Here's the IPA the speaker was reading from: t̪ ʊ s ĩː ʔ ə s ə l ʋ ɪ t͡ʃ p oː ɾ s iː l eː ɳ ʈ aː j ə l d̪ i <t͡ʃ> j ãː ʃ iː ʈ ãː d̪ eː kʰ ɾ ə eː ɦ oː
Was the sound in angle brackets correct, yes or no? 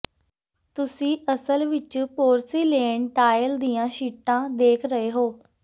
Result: no